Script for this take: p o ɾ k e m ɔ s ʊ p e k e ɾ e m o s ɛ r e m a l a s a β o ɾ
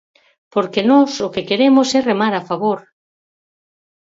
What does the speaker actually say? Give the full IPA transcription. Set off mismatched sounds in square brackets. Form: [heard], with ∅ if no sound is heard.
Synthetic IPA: p o ɾ k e [n] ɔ s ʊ [k] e k e ɾ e m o s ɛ r e m a [ɾ] a [f] a β o ɾ